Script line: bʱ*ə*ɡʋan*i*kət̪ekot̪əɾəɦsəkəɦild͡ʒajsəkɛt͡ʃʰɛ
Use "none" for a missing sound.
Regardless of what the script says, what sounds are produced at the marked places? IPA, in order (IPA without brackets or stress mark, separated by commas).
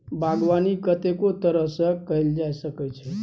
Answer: a, i